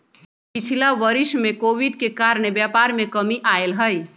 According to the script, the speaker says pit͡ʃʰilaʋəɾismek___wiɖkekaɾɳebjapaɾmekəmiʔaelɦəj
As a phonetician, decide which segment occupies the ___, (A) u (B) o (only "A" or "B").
B